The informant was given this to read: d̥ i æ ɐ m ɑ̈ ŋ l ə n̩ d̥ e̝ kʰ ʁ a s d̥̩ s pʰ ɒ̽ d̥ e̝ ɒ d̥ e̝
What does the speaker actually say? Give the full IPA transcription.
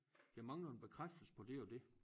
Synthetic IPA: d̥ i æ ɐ m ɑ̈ ŋ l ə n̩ b̥ e̝ kʰ ʁ a f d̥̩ s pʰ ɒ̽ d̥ e̝ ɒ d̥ e̝

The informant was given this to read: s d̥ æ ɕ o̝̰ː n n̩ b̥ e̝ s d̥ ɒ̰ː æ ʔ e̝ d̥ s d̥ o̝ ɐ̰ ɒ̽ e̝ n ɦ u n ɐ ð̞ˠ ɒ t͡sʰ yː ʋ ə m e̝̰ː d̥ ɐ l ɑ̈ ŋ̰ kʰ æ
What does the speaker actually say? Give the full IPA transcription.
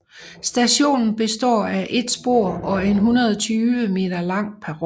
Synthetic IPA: s d̥ æ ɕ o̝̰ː n n̩ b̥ e̝ s d̥ ɒ̰ː æ ʔ e̝ d̥ s b̥ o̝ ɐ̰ ɒ̽ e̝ n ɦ u n ɐ ð̞ˠ ɒ t͡sʰ yː ʋ ə m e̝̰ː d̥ ɐ l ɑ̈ ŋ̰ pʰ æ

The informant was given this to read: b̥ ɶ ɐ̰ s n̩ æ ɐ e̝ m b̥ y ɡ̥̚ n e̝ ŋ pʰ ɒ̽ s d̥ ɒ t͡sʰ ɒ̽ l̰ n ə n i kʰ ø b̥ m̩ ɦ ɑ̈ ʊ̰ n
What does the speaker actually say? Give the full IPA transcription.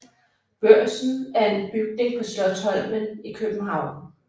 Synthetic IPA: b̥ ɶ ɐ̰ s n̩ æ ɐ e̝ n b̥ y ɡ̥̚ n e̝ ŋ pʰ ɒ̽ s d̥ ɒ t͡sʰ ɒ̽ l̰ m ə n i kʰ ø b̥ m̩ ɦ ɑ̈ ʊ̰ n

